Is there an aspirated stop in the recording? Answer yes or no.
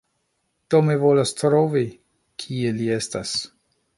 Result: yes